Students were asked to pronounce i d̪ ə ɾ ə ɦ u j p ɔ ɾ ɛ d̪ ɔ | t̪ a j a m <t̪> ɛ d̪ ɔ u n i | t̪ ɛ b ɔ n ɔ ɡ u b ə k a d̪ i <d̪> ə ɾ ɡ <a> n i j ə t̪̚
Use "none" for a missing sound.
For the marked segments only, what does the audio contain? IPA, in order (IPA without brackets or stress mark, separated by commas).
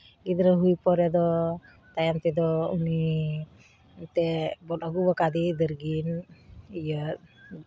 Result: t̪, d̪, i